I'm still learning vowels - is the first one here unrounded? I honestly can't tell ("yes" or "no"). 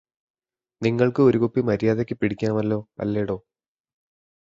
yes